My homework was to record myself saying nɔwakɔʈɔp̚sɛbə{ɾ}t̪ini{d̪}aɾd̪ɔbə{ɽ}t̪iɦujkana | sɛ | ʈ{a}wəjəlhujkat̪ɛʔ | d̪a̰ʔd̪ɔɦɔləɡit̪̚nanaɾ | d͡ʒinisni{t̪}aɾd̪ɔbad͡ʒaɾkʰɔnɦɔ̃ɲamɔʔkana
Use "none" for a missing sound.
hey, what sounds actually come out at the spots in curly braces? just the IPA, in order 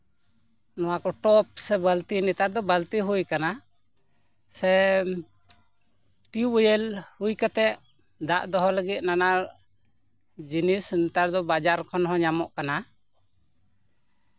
l, t̪, l, i, t̪

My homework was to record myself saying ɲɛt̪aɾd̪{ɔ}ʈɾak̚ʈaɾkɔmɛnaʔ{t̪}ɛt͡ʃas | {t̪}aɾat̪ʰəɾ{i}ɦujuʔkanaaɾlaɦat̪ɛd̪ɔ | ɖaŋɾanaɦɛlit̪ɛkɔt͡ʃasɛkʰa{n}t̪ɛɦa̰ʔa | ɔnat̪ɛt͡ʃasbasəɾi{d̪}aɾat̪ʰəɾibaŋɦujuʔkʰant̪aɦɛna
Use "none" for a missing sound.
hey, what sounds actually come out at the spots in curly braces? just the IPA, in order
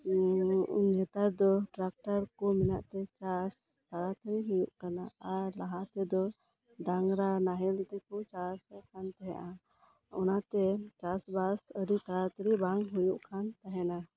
ɔ, t̪, t̪, i, n, t̪

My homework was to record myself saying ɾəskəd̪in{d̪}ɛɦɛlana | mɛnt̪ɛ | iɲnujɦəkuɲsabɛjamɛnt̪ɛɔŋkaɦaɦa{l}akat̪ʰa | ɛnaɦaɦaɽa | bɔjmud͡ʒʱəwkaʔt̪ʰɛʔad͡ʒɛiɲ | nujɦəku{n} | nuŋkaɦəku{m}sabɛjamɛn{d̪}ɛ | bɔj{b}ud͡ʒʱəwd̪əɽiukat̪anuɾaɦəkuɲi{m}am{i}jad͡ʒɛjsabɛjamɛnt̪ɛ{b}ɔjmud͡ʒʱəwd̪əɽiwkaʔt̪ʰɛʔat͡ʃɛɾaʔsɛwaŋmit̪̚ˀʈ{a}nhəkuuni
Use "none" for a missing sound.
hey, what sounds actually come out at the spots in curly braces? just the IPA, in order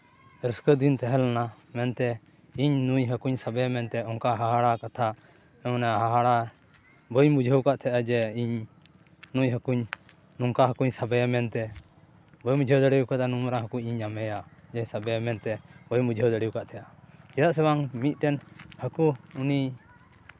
t̪, ɽ, ɲ, ɲ, t̪, m, ɲ, ɛ, b, ɛ

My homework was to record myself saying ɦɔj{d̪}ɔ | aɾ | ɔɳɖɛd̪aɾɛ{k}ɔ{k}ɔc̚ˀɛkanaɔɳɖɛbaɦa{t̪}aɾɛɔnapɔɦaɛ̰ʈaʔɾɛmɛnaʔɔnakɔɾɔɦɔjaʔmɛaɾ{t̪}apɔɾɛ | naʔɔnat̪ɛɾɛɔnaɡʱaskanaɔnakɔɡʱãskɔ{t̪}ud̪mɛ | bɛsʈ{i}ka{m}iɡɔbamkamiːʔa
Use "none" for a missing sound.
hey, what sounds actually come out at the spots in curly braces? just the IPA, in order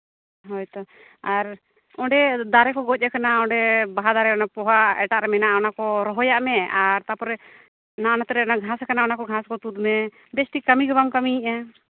t̪, k, ɡ, d̪, t̪, t̪, i, m

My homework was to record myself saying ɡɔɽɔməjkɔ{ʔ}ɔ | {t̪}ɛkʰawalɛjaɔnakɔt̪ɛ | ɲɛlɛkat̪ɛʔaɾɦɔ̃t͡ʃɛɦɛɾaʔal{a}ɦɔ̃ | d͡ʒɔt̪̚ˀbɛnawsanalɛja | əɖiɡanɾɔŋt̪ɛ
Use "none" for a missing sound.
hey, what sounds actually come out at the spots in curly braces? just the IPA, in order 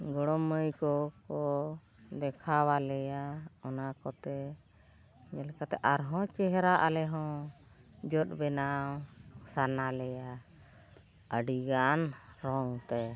k, d̪, ɛ

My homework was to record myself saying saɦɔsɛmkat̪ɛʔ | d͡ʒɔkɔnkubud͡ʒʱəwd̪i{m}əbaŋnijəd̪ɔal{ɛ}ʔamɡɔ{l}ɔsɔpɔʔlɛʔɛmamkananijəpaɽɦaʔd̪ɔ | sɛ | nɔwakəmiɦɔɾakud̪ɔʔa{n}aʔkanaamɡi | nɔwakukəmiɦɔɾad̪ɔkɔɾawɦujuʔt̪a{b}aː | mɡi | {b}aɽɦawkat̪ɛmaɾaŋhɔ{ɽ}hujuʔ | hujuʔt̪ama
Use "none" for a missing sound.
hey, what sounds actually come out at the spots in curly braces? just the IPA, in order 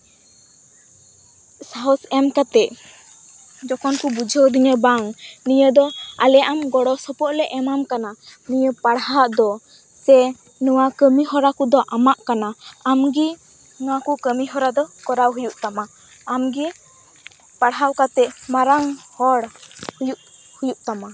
ɲ, ɛ, ɽ, m, m, p, ɽ

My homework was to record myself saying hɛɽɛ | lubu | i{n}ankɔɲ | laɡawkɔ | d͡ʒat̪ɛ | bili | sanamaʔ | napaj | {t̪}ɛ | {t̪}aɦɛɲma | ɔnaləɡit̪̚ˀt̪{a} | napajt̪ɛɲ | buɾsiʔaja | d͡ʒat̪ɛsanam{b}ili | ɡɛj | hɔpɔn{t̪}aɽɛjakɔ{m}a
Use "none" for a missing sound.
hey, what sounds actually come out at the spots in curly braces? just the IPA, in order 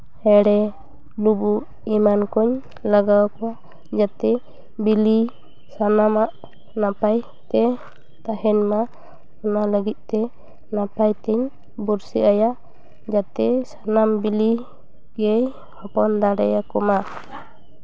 m, t̪, t̪, ɛ, b, d̪, m

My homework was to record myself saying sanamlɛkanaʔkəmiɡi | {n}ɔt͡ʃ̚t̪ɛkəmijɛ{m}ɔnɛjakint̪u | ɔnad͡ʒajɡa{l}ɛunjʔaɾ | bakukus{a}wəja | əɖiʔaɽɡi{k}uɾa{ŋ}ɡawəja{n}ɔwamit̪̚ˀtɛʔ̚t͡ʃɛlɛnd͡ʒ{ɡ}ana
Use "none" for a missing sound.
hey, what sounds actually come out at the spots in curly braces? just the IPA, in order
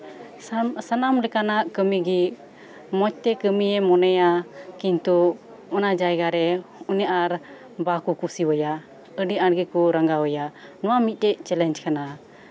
m, m, ɾ, i, k, ŋ, n, k

